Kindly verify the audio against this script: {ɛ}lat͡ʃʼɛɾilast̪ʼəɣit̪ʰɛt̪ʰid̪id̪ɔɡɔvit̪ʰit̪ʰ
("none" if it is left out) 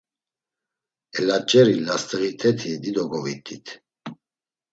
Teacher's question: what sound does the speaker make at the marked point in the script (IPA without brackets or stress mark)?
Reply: ɛ